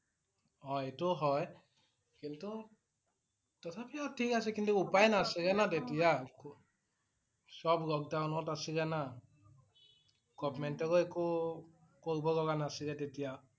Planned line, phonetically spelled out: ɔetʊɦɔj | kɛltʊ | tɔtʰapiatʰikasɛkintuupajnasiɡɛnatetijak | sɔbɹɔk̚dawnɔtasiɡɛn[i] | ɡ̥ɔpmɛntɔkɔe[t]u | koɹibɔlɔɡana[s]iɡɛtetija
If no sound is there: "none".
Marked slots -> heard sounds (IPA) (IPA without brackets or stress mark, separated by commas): a, k, s